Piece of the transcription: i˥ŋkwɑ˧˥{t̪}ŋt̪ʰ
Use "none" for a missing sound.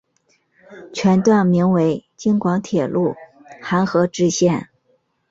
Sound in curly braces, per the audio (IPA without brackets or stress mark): none